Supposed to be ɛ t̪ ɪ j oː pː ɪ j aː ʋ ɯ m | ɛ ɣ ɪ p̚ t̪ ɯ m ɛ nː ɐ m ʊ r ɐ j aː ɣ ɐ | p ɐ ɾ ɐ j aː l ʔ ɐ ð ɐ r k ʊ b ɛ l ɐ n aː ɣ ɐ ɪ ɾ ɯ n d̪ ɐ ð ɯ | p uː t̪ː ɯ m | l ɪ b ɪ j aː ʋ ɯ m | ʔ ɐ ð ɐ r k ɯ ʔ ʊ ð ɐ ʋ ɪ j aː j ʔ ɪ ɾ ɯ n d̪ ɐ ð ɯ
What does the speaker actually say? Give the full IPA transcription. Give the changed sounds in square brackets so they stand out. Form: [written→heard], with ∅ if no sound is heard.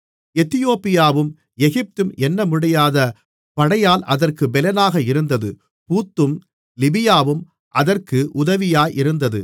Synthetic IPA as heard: ɛ t̪ ɪ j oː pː ɪ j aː ʋ ɯ m | ɛ ɣ ɪ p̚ t̪ ɯ m ɛ nː ɐ m ʊ [r→ɽ] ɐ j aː [ɣ→ð] ɐ | p ɐ [ɾ→ɽ] ɐ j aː l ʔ ɐ ð ɐ r k [ʊ→ɯ] b ɛ l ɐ n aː ɣ ɐ ɪ ɾ ɯ n d̪ ɐ ð ɯ | p uː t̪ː ɯ m | l ɪ b ɪ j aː ʋ ɯ m | ʔ ɐ ð ɐ r k ɯ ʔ ʊ ð ɐ ʋ ɪ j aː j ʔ ɪ ɾ ɯ n d̪ ɐ ð ɯ

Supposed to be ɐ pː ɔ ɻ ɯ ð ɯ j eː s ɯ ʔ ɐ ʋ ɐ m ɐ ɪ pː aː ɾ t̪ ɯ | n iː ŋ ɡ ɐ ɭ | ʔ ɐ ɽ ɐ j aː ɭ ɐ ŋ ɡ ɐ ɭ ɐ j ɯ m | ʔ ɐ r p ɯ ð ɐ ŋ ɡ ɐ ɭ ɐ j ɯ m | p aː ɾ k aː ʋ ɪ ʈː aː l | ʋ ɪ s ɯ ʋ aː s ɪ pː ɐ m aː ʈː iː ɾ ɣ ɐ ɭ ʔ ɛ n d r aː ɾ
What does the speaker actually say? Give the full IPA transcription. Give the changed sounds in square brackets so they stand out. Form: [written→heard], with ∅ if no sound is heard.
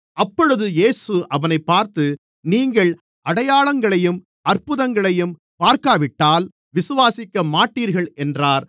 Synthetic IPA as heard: ɐ pː ɔ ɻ ɯ ð ɯ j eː s ɯ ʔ ɐ ʋ ɐ [m→n] ɐ ɪ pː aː ɾ t̪ ɯ | n iː ŋ ɡ ɐ ɭ | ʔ ɐ ɽ ɐ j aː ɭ ɐ ŋ ɡ ɐ ɭ ɐ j ɯ m | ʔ ɐ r p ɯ ð ɐ ŋ ɡ ɐ ɭ ɐ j ɯ m | p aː ɾ k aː ʋ ɪ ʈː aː l | ʋ ɪ s ɯ ʋ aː s ɪ [pː→kː] ɐ m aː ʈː iː ɾ ɣ ɐ ɭ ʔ ɛ n d r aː ɾ

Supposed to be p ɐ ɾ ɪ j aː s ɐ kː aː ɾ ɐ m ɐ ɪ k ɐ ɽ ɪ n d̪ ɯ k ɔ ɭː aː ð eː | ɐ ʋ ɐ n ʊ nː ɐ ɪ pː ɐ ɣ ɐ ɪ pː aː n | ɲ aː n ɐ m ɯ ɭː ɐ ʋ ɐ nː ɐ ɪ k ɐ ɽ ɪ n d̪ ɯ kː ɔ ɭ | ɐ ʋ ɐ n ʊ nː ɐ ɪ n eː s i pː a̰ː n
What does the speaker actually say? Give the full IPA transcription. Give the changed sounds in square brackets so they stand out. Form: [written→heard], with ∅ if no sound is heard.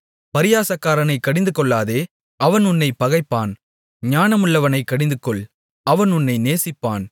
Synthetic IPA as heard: p ɐ ɾ ɪ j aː s ɐ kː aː ɾ ɐ [m→n] ɐ ɪ k ɐ ɽ ɪ n d̪ ɯ k ɔ ɭː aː ð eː | ɐ ʋ ɐ n ʊ nː ɐ ɪ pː ɐ ɣ ɐ ɪ pː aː n | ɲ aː n ɐ m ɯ ɭː ɐ ʋ ɐ [nː→n] ɐ ɪ k ɐ ɽ ɪ n d̪ ɯ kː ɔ ɭ | ɐ ʋ ɐ n ʊ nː ɐ ɪ n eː s [i→ɪ] pː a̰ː n

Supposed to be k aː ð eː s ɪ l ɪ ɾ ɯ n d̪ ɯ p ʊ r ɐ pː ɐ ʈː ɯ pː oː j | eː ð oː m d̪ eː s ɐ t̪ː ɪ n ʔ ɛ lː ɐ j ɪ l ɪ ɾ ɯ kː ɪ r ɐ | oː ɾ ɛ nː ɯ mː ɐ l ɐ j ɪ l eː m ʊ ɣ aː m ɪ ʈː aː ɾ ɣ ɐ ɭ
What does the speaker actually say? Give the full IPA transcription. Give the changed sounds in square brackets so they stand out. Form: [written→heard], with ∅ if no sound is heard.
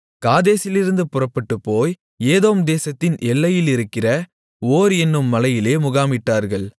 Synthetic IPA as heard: k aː ð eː s ɪ l ɪ ɾ ɯ n d̪ ɯ p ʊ r ɐ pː ɐ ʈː ɯ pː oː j | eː ð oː m d̪ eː s ɐ t̪ː ɪ n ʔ ɛ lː ɐ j ɪ l ɪ ɾ ɯ kː ɪ r ɐ | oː ɾ ɛ nː ɯ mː ɐ l ɐ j ɪ l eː m ʊ ɣ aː m ɪ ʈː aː ɾ ɣ ɐ ɭ

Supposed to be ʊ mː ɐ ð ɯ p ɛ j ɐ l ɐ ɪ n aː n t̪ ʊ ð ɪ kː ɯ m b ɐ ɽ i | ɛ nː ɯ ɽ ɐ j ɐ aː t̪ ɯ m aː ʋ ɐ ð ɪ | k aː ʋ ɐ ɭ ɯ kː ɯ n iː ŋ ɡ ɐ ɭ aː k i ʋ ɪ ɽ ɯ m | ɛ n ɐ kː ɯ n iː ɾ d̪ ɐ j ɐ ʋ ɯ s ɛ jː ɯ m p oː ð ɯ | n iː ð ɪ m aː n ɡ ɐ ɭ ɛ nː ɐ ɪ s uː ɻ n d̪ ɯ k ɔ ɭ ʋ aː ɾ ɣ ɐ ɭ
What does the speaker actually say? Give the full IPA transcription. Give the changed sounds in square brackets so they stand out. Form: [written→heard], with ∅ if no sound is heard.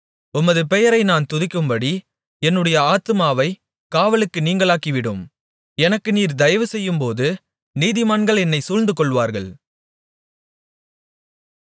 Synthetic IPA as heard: ʊ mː ɐ ð ɯ p ɛ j ɐ [l→ɾ] ɐ ɪ n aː n t̪ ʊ ð ɪ kː ɯ m b ɐ ɽ i | ɛ nː ɯ ɽ ɐ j ɐ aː t̪ ɯ m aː ʋ ɐ [ð→∅] ɪ | k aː ʋ ɐ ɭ ɯ kː ɯ n iː ŋ ɡ ɐ ɭ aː k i ʋ ɪ ɽ ɯ m | ɛ n ɐ kː ɯ n iː ɾ d̪ ɐ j ɐ ʋ ɯ s ɛ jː ɯ m p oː ð ɯ | n iː ð ɪ m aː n ɡ ɐ ɭ ɛ nː ɐ ɪ s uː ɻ n d̪ ɯ k ɔ ɭ ʋ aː ɾ ɣ ɐ ɭ

